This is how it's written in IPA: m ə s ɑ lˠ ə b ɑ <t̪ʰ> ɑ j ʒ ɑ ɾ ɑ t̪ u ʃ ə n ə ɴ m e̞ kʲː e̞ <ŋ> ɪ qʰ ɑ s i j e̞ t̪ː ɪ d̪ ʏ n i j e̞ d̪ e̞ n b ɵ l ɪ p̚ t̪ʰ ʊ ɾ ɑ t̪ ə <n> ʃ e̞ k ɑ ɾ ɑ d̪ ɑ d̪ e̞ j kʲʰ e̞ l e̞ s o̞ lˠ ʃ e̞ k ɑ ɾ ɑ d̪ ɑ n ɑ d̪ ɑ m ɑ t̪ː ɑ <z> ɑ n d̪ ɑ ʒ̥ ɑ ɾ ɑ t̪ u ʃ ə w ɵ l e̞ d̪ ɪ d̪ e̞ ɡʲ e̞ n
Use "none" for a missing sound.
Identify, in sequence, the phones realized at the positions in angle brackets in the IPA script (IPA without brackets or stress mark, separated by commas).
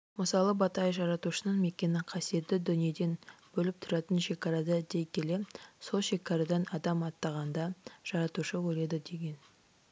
t̪, n, n, ʁ